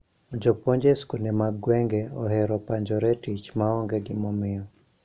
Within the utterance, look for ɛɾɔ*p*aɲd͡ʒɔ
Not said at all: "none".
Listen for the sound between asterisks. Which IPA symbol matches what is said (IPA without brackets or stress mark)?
p